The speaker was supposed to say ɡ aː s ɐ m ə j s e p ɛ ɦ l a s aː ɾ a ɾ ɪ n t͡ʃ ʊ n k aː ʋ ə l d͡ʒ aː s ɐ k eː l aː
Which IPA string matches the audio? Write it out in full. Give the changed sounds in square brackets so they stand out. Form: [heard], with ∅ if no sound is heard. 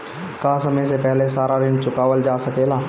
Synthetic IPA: [k] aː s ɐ m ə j s e p ɛ ɦ l [e] s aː ɾ a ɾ ɪ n t͡ʃ ʊ [∅] k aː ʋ ə l d͡ʒ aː s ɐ k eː l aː